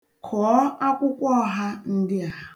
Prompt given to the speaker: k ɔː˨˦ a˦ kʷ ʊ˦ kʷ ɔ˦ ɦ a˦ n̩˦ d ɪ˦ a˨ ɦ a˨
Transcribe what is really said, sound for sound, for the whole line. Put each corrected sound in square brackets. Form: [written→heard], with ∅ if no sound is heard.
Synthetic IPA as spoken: [k→kʰ] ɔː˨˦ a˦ kʷ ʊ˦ kʷ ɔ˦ ɦ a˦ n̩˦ d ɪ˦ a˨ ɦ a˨